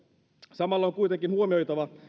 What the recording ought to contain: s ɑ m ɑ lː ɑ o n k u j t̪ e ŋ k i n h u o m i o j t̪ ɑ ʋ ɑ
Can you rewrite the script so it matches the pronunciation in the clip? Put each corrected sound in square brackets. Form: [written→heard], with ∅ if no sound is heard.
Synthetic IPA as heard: s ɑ m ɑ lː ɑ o [n→ŋ] k u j t̪ e ŋ k i n h u o m i o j t̪ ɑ ʋ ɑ